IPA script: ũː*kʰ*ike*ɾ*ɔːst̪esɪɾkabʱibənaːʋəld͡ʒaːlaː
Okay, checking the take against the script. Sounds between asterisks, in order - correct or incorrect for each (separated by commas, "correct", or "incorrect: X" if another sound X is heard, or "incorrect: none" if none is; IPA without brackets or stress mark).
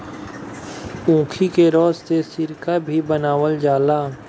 correct, correct